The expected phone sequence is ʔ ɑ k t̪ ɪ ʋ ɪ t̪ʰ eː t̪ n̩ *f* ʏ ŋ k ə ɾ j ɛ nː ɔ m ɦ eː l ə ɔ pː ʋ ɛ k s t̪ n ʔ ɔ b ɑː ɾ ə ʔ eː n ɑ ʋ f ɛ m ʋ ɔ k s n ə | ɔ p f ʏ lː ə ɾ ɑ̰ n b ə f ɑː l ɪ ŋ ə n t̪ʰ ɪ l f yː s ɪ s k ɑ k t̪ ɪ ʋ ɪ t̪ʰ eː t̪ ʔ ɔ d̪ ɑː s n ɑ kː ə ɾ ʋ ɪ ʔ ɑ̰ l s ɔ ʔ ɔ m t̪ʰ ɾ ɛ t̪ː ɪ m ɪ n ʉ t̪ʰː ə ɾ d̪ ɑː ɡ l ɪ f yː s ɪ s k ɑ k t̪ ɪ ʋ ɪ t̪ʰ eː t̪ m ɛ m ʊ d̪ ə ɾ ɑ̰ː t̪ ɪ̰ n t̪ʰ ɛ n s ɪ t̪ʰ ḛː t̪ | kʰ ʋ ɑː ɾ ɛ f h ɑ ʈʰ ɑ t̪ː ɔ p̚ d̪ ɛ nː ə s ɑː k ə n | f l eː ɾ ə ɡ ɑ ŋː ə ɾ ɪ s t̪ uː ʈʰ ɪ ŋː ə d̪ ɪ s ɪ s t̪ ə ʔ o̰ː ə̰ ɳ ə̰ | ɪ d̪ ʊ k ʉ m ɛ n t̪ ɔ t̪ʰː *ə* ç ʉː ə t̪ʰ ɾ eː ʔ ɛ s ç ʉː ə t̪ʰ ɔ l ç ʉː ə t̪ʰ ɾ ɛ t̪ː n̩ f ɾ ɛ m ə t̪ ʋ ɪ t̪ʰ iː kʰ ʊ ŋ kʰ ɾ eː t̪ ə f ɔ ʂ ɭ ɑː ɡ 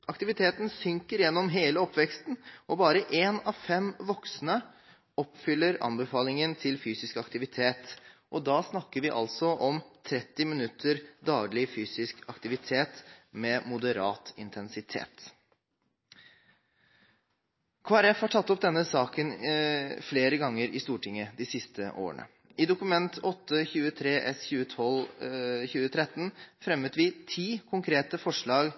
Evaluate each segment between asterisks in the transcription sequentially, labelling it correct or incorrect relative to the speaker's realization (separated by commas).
incorrect, correct